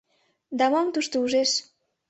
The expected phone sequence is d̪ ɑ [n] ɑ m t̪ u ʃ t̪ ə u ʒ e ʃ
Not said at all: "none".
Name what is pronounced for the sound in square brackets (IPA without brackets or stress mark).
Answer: m